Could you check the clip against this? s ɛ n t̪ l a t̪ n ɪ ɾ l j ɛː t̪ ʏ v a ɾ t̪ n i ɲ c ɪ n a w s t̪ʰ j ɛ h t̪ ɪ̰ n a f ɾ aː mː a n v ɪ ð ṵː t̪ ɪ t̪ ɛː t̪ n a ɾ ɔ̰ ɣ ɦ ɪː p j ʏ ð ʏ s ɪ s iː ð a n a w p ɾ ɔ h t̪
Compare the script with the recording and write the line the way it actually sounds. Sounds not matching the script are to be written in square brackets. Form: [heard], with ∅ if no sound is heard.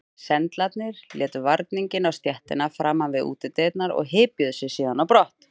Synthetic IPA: s ɛ n t̪ l a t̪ n ɪ ɾ l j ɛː t̪ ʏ v a ɾ t̪ n i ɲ c ɪ n a w s [t̪] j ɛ h t̪ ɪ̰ n a f ɾ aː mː a n v ɪ ð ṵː t̪ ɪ t̪ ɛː t̪ n a ɾ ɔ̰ ɣ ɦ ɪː p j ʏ ð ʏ s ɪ s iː ð a n a w p ɾ ɔ h t̪